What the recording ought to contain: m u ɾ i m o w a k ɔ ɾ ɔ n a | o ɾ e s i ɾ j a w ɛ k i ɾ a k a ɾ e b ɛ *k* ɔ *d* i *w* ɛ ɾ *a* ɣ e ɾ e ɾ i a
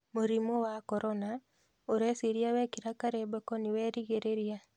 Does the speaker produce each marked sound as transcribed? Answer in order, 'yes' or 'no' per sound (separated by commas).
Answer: yes, no, yes, no